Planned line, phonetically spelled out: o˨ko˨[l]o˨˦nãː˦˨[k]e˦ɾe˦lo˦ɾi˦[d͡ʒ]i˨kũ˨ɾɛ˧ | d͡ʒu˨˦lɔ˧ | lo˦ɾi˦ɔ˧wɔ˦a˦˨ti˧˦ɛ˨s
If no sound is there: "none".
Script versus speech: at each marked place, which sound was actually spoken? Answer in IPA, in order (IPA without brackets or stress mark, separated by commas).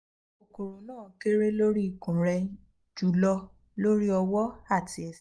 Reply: ɾ, k, none